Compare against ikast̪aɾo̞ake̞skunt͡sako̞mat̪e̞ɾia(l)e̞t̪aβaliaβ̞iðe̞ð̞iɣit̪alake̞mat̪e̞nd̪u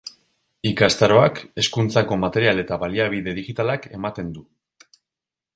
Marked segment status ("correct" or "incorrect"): correct